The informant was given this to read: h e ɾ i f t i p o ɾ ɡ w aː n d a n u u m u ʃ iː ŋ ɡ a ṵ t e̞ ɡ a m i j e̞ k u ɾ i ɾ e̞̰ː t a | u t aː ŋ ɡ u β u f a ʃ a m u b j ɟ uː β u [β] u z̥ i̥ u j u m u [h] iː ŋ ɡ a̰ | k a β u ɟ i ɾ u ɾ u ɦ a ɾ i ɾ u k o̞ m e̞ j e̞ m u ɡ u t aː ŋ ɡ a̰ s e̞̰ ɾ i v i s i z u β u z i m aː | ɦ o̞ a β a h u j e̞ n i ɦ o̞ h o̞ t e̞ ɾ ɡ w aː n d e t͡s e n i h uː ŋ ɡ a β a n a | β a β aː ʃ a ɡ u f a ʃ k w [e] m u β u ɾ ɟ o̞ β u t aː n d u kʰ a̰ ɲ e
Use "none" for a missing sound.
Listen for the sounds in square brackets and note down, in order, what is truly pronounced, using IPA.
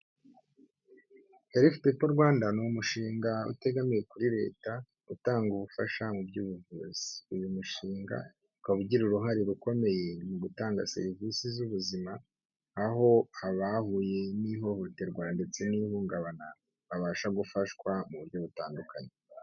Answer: v, ʃ, a

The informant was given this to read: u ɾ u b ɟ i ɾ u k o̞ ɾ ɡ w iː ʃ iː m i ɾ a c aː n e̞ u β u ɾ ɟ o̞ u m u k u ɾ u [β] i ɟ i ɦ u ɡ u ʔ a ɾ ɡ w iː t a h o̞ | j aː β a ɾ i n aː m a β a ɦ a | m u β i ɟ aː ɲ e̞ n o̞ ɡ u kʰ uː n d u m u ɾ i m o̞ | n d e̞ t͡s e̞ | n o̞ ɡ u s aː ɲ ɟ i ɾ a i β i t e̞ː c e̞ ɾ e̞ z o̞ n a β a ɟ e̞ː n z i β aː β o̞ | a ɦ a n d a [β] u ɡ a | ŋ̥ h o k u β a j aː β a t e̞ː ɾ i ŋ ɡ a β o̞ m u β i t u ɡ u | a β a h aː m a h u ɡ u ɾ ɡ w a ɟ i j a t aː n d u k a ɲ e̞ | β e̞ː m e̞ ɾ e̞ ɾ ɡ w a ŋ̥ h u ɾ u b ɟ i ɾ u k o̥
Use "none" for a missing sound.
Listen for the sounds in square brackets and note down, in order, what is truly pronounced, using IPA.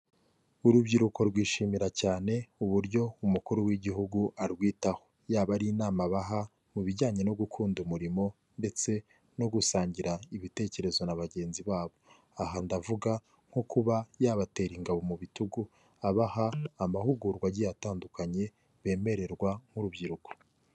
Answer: w, v

